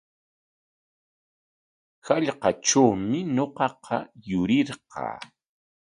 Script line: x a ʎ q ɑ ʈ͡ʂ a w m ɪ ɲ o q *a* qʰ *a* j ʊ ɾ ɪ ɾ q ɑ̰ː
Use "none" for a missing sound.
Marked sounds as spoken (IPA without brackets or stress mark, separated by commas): ɑ, ɑ